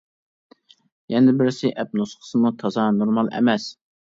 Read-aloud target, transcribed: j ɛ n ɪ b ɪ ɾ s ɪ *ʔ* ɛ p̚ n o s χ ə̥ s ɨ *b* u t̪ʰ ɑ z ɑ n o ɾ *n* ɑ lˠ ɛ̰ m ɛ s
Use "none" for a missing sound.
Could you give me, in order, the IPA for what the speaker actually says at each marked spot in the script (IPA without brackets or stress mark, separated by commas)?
ʔ, m, m